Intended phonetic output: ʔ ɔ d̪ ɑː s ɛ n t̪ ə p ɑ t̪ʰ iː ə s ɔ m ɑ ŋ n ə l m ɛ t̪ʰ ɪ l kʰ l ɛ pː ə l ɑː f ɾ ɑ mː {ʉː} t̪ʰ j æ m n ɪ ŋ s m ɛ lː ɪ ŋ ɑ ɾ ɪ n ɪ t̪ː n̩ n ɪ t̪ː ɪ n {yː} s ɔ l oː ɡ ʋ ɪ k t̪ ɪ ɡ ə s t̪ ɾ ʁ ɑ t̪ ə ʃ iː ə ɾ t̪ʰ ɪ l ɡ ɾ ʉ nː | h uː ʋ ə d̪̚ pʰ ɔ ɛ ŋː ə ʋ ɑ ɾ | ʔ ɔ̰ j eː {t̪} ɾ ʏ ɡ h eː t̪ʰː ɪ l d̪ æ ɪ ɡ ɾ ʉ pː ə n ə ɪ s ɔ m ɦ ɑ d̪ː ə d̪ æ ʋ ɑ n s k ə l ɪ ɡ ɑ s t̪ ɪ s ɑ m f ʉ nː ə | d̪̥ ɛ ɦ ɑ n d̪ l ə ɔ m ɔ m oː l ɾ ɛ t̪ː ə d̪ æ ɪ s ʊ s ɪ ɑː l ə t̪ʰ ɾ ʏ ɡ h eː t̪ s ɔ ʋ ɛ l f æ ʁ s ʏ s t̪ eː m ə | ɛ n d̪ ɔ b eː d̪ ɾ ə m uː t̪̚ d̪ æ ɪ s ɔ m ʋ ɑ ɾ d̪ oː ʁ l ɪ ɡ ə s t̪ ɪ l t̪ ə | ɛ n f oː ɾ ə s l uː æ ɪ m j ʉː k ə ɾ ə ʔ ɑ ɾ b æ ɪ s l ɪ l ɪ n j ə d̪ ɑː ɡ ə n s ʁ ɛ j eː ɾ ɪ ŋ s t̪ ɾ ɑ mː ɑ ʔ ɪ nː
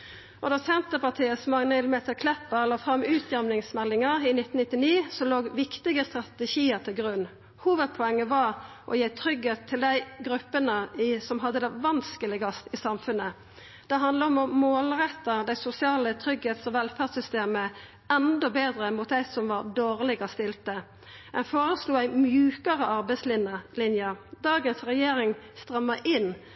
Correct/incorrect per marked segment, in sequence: correct, incorrect: iː, incorrect: t̪ʰ

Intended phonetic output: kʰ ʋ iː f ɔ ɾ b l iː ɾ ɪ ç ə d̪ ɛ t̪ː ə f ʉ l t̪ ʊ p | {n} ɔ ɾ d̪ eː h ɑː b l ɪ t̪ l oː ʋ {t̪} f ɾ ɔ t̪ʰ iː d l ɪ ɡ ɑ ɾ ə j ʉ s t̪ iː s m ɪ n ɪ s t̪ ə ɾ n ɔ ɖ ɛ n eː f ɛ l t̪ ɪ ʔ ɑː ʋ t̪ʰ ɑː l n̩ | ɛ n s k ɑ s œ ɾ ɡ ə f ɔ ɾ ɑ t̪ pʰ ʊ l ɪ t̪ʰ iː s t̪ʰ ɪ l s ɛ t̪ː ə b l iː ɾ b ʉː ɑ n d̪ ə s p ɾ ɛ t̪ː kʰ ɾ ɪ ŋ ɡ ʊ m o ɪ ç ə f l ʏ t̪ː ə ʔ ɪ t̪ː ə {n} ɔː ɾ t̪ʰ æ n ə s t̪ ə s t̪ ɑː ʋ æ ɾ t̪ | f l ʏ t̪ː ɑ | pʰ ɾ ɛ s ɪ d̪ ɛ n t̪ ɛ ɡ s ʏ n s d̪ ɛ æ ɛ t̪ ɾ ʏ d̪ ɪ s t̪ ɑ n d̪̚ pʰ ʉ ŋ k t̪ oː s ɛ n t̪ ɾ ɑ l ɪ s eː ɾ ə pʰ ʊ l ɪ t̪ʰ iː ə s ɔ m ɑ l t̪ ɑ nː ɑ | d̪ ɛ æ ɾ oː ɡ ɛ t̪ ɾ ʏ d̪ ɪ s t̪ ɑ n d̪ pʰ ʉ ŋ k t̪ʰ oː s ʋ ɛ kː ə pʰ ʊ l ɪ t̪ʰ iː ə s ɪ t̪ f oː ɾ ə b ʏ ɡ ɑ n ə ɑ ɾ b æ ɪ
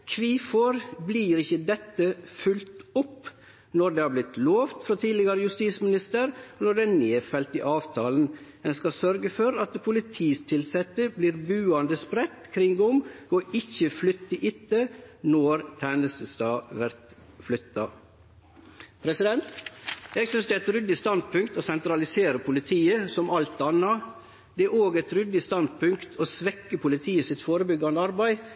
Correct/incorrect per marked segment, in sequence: correct, correct, correct

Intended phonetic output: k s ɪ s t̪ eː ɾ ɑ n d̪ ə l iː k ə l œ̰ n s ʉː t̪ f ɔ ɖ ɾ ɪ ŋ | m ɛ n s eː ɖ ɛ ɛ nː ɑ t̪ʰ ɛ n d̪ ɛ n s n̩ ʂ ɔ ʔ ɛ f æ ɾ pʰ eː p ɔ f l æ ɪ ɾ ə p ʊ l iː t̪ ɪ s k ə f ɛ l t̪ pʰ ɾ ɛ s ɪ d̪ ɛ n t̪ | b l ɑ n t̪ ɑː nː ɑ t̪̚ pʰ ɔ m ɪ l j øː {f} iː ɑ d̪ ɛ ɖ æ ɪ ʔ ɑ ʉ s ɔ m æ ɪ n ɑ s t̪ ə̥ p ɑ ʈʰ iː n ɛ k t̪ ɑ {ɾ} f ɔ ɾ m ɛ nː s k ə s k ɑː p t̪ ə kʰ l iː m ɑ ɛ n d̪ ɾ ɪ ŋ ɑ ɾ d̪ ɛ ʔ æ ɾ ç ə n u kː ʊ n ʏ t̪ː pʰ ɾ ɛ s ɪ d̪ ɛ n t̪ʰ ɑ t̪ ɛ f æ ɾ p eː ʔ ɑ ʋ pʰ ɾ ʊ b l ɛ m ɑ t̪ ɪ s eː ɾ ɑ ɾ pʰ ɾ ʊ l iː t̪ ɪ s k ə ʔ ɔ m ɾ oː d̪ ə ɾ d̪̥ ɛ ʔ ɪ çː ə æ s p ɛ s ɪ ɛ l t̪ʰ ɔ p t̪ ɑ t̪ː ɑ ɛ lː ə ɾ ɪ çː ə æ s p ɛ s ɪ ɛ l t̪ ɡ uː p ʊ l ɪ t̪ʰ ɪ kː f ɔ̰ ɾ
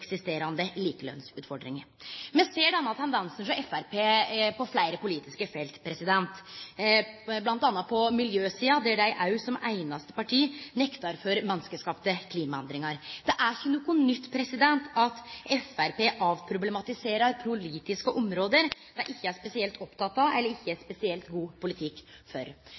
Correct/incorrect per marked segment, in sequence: incorrect: s, correct

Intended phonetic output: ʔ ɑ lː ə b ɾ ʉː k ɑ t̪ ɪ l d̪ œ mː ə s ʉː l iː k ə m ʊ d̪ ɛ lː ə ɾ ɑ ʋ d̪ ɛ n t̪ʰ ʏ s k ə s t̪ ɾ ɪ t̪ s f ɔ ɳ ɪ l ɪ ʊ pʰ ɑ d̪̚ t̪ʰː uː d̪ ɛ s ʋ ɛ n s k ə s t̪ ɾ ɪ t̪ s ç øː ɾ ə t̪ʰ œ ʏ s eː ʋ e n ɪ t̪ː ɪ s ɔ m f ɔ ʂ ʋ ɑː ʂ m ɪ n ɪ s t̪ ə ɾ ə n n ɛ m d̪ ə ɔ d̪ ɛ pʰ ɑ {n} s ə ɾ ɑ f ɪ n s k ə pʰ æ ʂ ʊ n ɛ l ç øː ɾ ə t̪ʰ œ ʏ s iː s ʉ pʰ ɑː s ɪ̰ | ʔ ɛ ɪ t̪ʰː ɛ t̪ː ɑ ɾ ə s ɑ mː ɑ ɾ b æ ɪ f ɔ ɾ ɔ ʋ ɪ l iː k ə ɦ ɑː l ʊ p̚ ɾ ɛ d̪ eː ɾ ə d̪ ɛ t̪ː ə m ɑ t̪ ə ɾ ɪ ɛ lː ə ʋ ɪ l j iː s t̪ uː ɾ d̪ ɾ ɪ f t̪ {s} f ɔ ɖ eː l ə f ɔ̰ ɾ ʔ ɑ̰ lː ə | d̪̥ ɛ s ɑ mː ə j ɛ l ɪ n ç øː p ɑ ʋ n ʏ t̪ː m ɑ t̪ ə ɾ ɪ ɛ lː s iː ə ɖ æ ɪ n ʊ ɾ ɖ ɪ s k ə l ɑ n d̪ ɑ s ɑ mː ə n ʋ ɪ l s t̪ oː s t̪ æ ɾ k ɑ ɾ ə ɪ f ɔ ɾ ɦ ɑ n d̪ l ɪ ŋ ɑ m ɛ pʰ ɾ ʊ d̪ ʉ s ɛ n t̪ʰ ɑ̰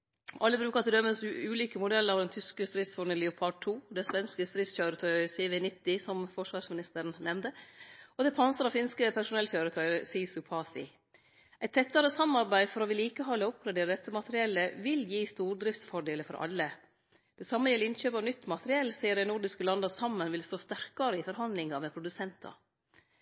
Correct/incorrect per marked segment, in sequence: correct, correct

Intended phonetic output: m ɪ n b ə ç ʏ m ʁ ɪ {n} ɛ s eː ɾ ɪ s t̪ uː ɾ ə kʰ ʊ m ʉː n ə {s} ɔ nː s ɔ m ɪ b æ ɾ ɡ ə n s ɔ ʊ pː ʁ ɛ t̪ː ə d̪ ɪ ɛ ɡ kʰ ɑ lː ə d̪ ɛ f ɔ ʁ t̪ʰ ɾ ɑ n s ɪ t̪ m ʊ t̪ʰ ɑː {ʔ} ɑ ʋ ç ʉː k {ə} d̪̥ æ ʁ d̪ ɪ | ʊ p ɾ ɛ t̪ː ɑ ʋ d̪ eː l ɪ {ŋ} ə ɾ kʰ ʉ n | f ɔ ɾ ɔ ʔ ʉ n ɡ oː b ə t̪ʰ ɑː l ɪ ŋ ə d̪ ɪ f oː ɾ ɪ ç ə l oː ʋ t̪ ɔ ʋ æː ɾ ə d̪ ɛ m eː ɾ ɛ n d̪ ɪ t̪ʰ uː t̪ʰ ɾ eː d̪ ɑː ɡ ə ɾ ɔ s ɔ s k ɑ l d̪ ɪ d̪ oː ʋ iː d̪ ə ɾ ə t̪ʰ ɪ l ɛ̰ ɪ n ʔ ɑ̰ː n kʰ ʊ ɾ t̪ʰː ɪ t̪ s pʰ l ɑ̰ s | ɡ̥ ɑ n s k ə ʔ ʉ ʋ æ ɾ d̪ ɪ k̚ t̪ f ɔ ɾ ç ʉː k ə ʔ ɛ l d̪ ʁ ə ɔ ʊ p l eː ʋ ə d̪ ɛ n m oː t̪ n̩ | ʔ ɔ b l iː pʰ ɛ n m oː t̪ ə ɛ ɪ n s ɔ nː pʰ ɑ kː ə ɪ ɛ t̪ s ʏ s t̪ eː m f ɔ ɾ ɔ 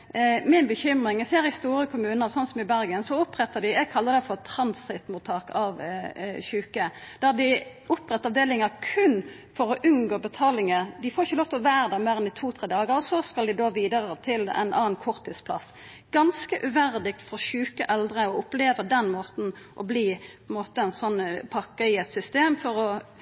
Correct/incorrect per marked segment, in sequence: incorrect: ŋ, correct, incorrect: k, correct, correct

